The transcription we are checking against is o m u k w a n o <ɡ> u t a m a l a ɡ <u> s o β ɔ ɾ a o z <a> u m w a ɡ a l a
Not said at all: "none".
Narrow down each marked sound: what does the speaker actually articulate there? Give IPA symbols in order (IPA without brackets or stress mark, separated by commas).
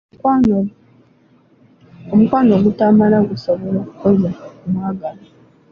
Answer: ɡ, u, a